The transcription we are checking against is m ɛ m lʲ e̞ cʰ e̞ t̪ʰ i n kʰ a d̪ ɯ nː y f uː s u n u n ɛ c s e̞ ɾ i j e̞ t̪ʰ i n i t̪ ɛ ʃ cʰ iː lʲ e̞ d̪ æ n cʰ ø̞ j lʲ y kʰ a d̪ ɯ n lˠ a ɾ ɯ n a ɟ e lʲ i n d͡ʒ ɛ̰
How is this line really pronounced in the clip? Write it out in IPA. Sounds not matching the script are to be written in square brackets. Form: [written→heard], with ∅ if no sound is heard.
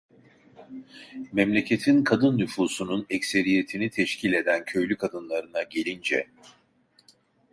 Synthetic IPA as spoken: m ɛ m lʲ e̞ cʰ e̞ t̪ʰ i n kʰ a d̪ ɯ nː y f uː s u n u n ɛ c s e̞ ɾ i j e̞ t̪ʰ i n i [t̪→t̪ʰ] ɛ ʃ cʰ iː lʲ e̞ d̪ æ n cʰ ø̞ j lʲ y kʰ a d̪ ɯ n lˠ a ɾ ɯ n a ɟ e lʲ i n d͡ʒ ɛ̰